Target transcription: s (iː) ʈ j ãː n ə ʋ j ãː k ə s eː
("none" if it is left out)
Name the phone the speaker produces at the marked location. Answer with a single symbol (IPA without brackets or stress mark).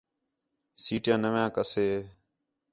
iː